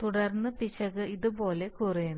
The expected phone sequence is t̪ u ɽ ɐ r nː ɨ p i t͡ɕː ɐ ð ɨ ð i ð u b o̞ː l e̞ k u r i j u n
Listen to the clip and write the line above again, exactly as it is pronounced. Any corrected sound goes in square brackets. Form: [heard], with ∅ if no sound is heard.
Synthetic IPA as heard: t̪ u ɽ ɐ r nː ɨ p i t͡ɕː ɐ [ɣ] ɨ [∅] i ð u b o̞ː l e̞ k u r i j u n